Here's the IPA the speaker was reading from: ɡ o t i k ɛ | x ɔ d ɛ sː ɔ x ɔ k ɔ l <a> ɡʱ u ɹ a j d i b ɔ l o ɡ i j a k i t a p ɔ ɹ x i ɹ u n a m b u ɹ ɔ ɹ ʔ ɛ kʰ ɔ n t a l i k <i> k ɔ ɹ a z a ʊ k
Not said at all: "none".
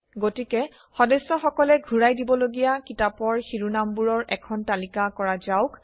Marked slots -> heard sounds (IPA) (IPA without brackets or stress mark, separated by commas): ɛ, a